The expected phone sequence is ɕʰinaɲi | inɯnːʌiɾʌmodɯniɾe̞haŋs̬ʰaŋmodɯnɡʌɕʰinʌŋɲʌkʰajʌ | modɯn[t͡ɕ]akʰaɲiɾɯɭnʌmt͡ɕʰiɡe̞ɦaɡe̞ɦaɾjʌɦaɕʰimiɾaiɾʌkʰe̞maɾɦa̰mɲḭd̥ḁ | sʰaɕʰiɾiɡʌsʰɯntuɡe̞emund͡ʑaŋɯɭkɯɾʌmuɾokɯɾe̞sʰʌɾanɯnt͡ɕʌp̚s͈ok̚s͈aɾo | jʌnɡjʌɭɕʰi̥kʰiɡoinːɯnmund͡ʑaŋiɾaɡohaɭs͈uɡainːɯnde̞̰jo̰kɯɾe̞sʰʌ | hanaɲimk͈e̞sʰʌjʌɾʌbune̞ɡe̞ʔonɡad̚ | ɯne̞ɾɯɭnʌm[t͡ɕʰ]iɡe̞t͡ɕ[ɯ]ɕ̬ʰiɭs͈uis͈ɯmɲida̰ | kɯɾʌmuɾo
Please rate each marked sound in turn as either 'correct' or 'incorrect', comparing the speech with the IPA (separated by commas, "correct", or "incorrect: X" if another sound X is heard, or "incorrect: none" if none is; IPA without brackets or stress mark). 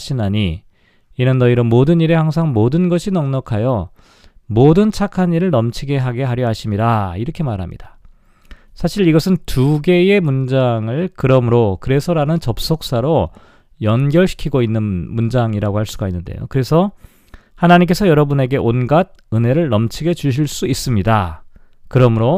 incorrect: t͡ɕʰ, correct, incorrect: u